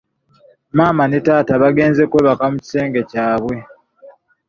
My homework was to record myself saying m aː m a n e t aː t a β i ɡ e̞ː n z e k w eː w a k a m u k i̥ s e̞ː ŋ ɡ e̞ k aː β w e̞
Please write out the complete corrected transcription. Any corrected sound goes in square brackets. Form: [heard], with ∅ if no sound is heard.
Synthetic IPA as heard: m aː m a n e t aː t a β [a] ɡ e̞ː n z e k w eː [β] a k a m u [c] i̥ s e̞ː ŋ ɡ e̞ [c] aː β w e̞